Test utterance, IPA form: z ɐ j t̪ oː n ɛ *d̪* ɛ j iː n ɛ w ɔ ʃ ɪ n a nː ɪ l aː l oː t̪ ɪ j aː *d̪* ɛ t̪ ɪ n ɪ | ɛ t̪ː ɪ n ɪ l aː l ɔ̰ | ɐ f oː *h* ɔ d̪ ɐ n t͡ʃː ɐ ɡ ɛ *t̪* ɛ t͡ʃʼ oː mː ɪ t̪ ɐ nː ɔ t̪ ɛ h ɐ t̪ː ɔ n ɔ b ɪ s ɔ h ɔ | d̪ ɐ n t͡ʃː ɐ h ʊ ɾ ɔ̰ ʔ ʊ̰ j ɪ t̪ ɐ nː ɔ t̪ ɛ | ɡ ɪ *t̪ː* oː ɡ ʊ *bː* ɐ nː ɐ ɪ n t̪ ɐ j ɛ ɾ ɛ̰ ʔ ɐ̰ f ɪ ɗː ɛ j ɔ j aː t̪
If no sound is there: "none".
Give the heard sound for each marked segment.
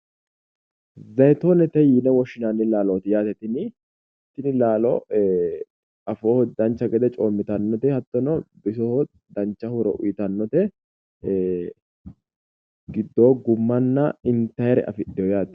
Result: t̪, t̪, h, d̪, d̪ː, mː

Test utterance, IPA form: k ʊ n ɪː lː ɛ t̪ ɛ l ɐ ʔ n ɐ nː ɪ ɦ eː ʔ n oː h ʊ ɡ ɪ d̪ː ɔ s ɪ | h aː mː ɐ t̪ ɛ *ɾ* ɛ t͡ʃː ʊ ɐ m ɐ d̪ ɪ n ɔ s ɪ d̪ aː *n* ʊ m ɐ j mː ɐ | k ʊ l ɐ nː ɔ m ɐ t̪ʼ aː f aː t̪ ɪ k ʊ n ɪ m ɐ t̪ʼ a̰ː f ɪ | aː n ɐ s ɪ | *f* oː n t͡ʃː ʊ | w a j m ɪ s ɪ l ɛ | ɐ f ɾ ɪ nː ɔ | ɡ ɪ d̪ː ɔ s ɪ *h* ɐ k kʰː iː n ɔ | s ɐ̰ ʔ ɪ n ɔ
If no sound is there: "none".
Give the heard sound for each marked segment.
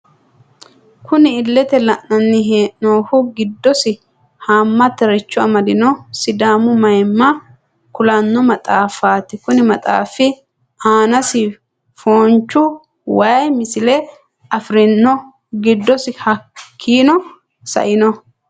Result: ɾ, m, f, h

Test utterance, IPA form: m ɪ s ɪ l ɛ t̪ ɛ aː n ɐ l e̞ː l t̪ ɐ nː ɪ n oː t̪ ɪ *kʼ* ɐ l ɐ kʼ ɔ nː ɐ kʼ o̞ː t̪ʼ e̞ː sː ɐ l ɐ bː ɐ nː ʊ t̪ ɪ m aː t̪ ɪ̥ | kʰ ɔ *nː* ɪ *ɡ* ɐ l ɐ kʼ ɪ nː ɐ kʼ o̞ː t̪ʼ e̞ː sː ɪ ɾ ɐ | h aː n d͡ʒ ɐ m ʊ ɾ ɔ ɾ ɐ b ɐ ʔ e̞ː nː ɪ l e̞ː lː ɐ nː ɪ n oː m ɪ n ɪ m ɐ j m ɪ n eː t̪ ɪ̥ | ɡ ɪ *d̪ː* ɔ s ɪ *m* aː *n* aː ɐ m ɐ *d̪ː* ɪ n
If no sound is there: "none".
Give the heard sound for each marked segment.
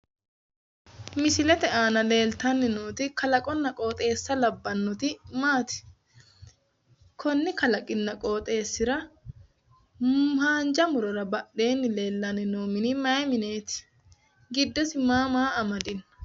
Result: k, nː, k, d̪ː, m, m, d̪

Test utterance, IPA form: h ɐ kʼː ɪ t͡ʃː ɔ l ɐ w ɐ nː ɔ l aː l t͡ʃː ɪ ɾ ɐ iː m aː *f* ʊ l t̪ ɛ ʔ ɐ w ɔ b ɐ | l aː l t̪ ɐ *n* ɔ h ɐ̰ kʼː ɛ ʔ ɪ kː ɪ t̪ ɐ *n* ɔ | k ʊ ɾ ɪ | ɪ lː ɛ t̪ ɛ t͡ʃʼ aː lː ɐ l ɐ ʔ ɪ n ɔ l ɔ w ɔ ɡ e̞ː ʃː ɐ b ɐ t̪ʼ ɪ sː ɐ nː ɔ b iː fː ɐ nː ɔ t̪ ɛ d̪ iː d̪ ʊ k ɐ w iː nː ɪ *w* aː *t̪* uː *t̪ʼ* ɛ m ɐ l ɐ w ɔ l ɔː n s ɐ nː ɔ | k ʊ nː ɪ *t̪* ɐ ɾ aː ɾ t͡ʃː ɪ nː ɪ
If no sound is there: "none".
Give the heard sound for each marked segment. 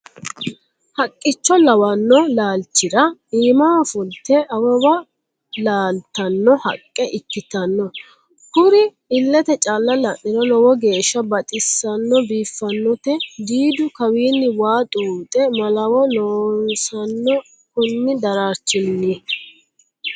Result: f, nː, nː, w, t̪ʼ, t̪ʼ, d̪

